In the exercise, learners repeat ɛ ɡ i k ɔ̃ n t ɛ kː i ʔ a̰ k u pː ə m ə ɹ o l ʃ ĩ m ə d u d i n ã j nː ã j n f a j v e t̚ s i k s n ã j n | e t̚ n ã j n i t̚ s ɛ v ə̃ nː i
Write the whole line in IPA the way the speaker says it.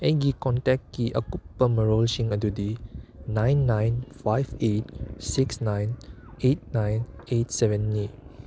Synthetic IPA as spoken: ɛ ɡ i k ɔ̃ n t ɛ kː i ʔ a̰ k u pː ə m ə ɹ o l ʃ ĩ ŋ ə d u d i n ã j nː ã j n f a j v e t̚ s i k s n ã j n | e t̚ n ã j n e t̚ s ɛ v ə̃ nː i